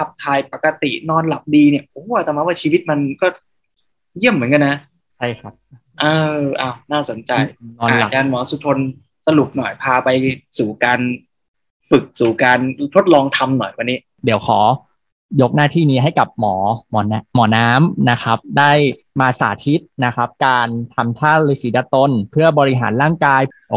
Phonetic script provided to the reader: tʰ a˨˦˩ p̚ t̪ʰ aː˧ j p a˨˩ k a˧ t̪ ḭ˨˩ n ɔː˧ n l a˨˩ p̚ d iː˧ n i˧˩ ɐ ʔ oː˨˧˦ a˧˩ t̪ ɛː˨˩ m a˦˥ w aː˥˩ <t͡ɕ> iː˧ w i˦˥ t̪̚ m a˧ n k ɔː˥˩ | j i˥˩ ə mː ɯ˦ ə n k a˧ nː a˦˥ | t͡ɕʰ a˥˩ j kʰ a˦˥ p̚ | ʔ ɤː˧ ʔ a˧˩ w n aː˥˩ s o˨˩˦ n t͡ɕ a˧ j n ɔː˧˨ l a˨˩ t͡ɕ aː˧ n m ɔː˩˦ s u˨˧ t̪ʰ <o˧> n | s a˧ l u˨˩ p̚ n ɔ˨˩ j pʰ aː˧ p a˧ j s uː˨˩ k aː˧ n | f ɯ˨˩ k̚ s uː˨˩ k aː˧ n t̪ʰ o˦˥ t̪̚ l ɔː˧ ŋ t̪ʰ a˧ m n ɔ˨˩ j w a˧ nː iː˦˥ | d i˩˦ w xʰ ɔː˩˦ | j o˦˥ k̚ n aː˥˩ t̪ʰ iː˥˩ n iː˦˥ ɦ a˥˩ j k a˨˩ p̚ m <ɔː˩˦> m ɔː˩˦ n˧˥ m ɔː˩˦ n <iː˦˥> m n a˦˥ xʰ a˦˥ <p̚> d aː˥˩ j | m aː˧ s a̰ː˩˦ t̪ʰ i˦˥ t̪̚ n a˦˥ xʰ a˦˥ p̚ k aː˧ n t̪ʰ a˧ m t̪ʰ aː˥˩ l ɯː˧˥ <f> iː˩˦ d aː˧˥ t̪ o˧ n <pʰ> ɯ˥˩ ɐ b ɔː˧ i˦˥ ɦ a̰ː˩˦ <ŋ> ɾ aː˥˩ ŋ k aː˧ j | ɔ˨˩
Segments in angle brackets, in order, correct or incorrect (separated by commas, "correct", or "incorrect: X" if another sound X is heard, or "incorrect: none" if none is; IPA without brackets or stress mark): incorrect: t͡ɕʰ, correct, correct, incorrect: aː˦˥, correct, incorrect: s, correct, incorrect: n